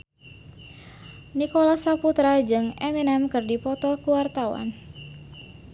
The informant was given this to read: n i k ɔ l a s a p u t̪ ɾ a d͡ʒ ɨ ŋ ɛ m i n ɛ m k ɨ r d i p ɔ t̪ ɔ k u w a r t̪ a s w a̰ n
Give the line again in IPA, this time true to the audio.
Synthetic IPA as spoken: n i k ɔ l a s a p u t̪ ɾ a d͡ʒ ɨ ŋ ɛ m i n ɛ m k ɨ r d i p ɔ t̪ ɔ k u w a r t̪ a w a̰ n